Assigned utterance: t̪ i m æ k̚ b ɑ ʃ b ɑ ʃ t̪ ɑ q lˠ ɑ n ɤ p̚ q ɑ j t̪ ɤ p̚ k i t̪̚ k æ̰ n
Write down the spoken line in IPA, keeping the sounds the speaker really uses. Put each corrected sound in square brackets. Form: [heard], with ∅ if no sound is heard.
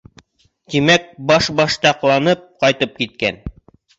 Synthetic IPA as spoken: t̪ i m æ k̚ b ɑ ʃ b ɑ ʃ t̪ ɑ q lˠ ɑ n ɤ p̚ q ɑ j t̪ ɤ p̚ k i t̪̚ k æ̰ n